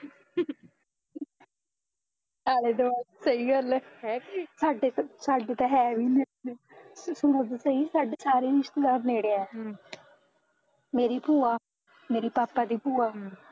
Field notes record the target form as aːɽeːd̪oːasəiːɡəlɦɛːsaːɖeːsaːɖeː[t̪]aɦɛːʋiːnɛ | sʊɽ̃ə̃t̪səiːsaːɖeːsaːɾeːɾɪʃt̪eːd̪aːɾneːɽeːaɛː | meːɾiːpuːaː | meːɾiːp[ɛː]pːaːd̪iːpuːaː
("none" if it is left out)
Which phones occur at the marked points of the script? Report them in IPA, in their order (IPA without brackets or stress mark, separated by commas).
t̪, aː